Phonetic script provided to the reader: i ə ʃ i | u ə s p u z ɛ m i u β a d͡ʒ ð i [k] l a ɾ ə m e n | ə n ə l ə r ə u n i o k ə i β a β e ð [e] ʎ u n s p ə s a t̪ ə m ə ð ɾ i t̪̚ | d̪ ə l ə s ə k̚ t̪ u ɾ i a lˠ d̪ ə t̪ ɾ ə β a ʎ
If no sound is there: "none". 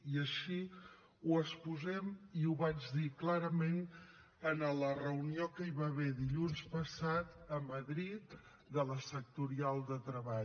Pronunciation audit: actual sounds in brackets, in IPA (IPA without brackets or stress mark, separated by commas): k, i